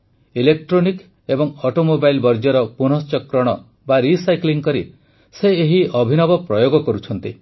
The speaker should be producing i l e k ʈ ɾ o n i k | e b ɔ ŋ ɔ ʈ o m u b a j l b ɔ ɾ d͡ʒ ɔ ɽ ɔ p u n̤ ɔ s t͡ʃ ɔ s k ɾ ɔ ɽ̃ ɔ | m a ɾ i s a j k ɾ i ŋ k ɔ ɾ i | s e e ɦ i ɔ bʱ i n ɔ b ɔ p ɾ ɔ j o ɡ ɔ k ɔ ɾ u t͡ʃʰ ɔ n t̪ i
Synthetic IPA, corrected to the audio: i l e k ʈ ɾ o n i k | e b ɔ ŋ ɔ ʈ o m o b a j l b ɔ ɾ d͡ʒ ɔ ɾ ɔ p u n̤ ɔ s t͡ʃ ɔ k ɾ ɔ ɽ̃ ɔ | b a ɾ i s a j k l i ŋ k ɔ ɾ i | s e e ɦ i ɔ bʱ i n ɔ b ɔ p ɾ ɔ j o ɡ ɔ k ɔ ɾ u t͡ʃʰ ɔ n t̪ i